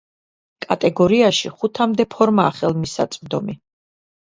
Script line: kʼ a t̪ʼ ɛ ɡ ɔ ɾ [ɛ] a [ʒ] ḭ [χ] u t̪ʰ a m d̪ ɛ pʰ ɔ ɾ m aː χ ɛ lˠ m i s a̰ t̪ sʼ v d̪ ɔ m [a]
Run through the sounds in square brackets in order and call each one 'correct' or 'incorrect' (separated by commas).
incorrect, incorrect, correct, incorrect